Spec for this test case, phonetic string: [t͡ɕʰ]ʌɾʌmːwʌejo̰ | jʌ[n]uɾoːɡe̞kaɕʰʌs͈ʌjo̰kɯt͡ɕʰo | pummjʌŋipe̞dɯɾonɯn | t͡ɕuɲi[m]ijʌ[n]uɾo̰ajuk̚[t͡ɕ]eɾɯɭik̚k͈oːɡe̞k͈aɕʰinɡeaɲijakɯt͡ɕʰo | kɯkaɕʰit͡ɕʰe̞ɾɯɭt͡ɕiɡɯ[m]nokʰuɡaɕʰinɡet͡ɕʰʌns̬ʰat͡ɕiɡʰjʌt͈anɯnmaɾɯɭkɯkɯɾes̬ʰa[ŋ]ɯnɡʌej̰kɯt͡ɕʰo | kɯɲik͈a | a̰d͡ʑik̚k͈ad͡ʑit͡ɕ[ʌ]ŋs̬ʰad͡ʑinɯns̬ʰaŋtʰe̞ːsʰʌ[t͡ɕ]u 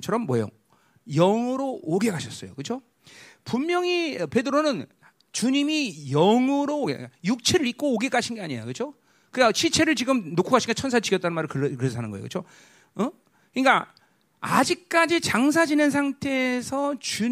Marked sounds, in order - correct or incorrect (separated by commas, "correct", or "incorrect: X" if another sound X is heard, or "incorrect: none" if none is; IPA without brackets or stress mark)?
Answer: correct, incorrect: ŋ, correct, incorrect: ŋ, incorrect: t͡ɕʰ, correct, incorrect: n, incorrect: a, correct